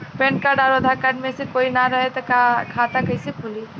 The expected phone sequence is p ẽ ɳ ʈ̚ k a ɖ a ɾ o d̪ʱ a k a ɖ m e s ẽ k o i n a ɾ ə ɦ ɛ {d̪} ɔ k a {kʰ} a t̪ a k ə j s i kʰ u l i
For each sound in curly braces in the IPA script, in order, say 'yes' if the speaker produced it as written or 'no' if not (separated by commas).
no, yes